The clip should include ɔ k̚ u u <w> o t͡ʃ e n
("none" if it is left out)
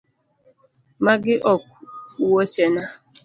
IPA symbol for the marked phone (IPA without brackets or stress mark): w